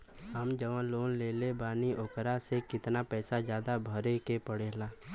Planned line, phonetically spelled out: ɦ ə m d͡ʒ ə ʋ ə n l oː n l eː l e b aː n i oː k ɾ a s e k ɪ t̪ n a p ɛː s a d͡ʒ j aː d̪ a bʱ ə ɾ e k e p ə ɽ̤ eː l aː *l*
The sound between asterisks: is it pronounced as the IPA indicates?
no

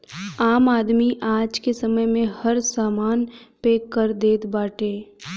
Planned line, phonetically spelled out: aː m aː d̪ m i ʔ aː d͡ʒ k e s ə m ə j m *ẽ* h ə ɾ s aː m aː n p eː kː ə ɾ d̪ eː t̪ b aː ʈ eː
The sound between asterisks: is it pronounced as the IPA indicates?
yes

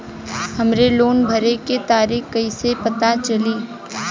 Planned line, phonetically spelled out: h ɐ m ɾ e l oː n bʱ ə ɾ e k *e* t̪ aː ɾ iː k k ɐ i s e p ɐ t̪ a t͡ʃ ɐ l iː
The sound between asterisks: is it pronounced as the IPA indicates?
yes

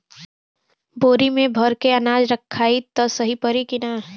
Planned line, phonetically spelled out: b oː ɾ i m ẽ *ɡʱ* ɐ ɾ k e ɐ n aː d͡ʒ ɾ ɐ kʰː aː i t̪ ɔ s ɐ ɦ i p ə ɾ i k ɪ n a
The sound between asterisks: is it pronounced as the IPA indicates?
no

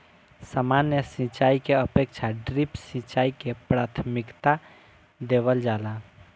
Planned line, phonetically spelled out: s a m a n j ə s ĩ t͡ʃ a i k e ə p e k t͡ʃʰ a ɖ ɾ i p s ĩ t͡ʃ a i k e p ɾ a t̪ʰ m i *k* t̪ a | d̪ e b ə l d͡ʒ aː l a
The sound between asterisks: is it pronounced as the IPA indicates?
yes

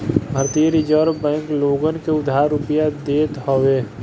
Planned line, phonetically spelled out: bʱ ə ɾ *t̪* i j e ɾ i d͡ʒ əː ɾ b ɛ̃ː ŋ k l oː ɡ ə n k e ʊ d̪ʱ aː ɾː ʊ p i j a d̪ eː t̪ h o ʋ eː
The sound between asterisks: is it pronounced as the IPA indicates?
yes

